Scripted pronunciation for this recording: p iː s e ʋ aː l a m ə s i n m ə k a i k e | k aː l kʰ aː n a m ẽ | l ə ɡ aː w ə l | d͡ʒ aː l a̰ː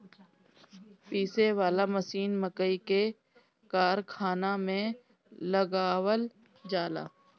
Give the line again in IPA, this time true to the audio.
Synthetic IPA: p iː s e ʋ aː l a m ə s iː n m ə k ə i k e | k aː ɾ kʰ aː n a m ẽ | l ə ɡ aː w ə l | d͡ʒ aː l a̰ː